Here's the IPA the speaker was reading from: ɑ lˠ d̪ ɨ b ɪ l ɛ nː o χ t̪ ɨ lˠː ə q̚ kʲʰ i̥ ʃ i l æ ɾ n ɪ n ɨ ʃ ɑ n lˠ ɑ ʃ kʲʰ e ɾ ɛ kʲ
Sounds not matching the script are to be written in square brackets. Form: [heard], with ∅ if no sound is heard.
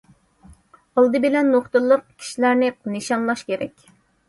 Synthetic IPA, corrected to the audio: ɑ lˠ d̪ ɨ b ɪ l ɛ nː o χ t̪ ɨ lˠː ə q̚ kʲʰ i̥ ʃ i l æ ɾ n ɪ n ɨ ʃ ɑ n lˠ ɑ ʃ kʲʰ e ɾ ɛ kʲ

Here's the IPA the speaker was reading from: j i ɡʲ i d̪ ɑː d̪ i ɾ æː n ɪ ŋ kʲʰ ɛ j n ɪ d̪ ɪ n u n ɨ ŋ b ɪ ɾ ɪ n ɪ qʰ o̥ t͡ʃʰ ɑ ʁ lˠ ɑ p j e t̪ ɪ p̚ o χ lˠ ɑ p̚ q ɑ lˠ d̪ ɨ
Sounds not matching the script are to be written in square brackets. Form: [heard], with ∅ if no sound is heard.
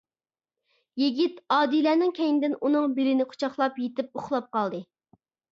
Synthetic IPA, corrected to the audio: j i ɡʲ i [t̪] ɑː d̪ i [l] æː n ɪ ŋ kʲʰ ɛ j n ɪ d̪ ɪ n u n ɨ ŋ b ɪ ɾ ɪ n ɪ qʰ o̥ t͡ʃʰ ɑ [χ] lˠ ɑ p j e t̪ ɪ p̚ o χ lˠ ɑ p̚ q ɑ lˠ d̪ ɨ

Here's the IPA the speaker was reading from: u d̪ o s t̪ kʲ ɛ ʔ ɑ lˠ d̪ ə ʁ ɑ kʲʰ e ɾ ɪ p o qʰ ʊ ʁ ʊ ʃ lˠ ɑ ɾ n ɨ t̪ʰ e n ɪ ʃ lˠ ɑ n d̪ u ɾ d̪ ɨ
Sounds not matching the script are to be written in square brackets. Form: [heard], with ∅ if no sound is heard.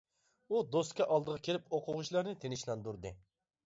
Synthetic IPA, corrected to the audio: u d̪ o s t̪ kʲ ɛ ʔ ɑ lˠ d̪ ə ʁ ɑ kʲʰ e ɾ ɪ p o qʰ ʊ ʁ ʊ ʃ lˠ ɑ ɾ n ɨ t̪ʰ e n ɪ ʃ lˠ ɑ n d̪ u ɾ d̪ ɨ

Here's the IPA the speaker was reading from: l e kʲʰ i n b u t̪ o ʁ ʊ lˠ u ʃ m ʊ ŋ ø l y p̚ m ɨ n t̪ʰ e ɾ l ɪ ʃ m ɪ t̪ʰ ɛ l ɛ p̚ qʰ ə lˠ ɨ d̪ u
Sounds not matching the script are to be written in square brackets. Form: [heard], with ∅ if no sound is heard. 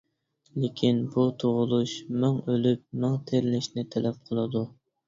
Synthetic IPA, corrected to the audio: l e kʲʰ i n b u [t̪ʰ] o ʁ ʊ lˠ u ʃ m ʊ ŋ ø l y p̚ m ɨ [ŋ] t̪ʰ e ɾ l ɪ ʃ [n] ɪ t̪ʰ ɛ l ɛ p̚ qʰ ə lˠ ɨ d̪ u

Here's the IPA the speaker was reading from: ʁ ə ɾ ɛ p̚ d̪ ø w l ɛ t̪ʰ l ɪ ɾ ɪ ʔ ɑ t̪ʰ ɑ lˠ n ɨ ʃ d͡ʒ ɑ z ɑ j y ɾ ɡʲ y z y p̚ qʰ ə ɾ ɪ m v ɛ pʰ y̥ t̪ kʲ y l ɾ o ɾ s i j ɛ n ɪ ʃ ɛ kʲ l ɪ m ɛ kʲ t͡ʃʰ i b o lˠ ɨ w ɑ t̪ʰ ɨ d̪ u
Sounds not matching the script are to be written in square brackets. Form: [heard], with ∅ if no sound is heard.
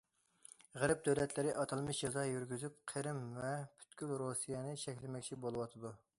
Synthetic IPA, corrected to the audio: ʁ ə ɾ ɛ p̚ d̪ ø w l ɛ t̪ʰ l ɪ ɾ ɪ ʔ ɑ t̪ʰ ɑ lˠ [m] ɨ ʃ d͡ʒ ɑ z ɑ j y ɾ ɡʲ y z y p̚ qʰ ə ɾ ɪ m v ɛ pʰ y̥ t̪ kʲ y l ɾ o [∅] s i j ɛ n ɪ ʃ ɛ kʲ l ɪ m ɛ kʲ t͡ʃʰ i b o lˠ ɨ w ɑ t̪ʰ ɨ d̪ u

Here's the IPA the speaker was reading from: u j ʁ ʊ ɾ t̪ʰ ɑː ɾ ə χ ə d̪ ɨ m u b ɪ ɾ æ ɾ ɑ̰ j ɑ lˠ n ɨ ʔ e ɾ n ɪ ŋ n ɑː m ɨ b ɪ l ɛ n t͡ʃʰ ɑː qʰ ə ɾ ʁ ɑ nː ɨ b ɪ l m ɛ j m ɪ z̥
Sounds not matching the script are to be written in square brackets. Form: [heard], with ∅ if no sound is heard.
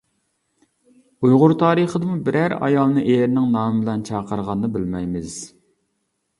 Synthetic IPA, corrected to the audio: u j ʁ ʊ ɾ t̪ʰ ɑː ɾ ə χ ə d̪ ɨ m u b ɪ ɾ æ ɾ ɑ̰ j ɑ lˠ n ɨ ʔ e ɾ n ɪ ŋ n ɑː m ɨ b ɪ l ɛ n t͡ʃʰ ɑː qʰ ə ɾ ʁ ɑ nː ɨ b ɪ l m ɛ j m ɪ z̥

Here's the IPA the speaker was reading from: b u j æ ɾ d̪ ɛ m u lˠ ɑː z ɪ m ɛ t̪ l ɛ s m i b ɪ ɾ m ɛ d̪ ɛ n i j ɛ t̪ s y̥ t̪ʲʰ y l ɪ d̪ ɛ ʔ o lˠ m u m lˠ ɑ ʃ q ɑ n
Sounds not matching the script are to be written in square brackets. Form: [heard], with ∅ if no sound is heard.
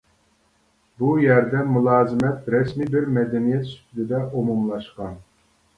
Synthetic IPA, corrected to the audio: b u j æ ɾ d̪ ɛ m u lˠ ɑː z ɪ m ɛ t̪ [ɾ] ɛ s m i b ɪ ɾ m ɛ d̪ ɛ n i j ɛ t̪ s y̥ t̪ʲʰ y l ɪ d̪ ɛ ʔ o [∅] m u m lˠ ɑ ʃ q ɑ n

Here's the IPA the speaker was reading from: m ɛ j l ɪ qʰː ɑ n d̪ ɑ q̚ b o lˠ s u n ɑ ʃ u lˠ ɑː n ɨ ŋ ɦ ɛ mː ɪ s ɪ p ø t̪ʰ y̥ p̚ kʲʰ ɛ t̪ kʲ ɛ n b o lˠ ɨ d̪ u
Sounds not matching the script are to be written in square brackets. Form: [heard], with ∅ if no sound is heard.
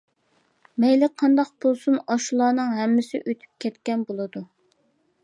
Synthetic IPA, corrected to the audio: m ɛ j l ɪ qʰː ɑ n d̪ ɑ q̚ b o lˠ s u n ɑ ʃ u lˠ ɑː n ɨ ŋ ɦ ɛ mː ɪ s ɪ [ʔ] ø t̪ʰ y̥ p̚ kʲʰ ɛ t̪ kʲ ɛ n b o lˠ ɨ d̪ u

